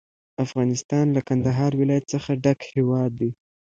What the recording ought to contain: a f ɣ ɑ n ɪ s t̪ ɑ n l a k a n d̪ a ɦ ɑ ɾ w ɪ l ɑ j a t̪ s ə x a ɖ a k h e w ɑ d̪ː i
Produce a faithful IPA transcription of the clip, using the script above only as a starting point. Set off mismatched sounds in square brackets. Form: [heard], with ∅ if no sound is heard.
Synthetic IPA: a f ɣ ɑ n ɪ s t̪ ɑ n l a k a n d̪ a ɦ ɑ ɾ w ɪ l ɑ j a t̪ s ə x a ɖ a k h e w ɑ d̪ː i

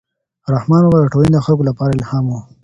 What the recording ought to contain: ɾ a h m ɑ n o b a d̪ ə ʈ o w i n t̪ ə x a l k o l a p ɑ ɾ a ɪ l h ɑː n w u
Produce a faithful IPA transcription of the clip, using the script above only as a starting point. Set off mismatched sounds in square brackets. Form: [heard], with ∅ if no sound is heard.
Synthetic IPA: ɾ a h m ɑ n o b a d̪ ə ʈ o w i n [d̪] ə x a l k o l a p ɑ ɾ a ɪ l h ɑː [m] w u

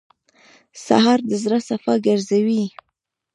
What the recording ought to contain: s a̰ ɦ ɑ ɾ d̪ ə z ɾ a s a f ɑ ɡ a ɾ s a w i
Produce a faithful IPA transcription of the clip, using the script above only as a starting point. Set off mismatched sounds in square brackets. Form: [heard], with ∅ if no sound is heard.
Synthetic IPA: s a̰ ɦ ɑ ɾ d̪ ə z ɾ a s a f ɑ ɡ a ɾ [z] a w i

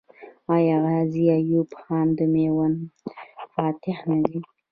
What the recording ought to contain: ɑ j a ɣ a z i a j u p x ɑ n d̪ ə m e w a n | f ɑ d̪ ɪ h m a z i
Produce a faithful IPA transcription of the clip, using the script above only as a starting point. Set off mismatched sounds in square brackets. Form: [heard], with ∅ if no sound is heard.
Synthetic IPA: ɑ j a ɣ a z i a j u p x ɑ n d̪ ə m e w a n | f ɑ [t̪] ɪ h [n] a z i

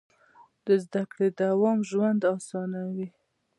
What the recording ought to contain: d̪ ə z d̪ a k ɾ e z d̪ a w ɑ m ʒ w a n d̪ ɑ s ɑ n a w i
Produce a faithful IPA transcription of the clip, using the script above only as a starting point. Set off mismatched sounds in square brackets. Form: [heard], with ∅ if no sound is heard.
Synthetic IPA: d̪ ə z d̪ a k [ɽ] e [∅] d̪ a w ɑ m ʒ w a n d̪ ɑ s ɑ n a w i

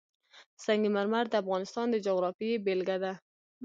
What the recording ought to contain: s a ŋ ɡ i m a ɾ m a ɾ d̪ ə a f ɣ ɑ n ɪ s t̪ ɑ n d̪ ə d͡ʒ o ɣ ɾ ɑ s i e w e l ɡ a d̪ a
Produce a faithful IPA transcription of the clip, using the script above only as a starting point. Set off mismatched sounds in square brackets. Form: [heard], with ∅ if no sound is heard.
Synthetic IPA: s a ŋ ɡ i m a ɾ m a ɾ d̪ ə a f ɣ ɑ n ɪ s t̪ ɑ n d̪ ə d͡ʒ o ɣ ɾ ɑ [f] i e [b] e l ɡ a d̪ a

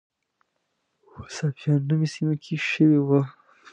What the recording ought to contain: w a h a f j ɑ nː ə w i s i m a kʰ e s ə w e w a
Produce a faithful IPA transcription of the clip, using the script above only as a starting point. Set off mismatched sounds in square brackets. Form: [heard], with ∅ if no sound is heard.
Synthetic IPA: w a [s] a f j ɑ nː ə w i s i m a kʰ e [ʃ] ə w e w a

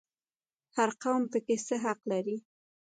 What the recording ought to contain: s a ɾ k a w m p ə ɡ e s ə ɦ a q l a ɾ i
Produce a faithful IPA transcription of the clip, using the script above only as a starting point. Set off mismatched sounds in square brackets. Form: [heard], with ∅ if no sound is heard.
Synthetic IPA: [h] a ɾ [q] a w m p ə [k] e s ə ɦ a q l a ɾ i

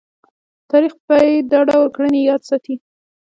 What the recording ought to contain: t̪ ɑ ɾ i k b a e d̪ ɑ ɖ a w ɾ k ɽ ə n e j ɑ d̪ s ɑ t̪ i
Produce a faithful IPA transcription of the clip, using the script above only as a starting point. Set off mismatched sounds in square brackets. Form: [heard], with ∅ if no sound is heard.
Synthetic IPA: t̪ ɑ ɾ i [x] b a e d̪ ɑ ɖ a w ɾ k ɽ ə n e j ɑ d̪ s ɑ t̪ i

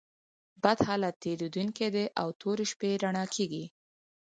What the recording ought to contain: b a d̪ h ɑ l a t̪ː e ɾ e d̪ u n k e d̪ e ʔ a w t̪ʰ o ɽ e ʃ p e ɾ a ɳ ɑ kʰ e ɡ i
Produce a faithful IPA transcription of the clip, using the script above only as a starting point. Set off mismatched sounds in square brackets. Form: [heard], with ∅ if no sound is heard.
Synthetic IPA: b a d̪ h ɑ l a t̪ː e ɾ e d̪ u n k e d̪ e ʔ a w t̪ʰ o [ɾ] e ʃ p e ɾ a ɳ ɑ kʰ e ɡ i

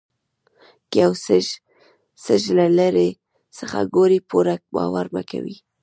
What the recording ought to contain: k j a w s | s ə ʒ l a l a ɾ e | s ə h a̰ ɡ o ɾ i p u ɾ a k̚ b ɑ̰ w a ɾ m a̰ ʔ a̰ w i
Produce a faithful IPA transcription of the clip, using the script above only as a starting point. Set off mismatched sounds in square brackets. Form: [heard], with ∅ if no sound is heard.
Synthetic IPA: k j a w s | s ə ʒ l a l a ɾ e | s ə [x] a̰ ɡ o ɾ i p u ɾ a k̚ b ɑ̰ w a ɾ m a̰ [k] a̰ w i

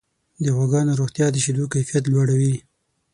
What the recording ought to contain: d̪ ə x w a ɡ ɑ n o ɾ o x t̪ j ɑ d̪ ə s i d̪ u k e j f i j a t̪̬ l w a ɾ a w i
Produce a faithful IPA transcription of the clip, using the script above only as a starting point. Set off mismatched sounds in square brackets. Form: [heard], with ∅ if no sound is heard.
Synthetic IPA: d̪ ə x w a ɡ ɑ n o ɾ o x t̪ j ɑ d̪ ə [ʃ] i d̪ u k [a] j f i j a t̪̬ l w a [ɽ] a w i

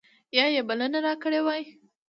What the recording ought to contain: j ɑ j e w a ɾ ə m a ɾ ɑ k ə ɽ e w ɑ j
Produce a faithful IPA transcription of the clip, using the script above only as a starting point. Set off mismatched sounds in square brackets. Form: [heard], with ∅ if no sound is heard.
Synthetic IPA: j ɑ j e [b] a [l] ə [n] a ɾ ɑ k ə ɽ e w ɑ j

